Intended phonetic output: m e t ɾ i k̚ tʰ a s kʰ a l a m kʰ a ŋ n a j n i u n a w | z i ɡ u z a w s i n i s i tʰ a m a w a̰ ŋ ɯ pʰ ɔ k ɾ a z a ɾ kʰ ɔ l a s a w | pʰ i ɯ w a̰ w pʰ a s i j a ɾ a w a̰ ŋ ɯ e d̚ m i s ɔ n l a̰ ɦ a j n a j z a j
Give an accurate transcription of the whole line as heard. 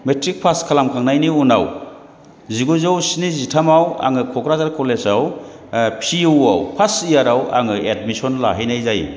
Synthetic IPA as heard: m e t ɾ i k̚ pʰ a s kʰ a l a m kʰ a ŋ n a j n i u n a w | z i ɡ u z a w s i n i z i tʰ a m a w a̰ ŋ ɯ kʰ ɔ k ɾ a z a ɾ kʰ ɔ l e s a w | pʰ i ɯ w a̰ w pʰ a s i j a ɾ a w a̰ ŋ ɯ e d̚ m i s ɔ n l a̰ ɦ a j n a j z a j